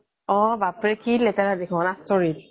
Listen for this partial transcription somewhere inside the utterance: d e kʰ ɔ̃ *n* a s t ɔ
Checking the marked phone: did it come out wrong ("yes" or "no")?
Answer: no